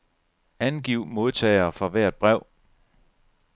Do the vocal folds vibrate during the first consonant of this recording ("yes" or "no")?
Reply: yes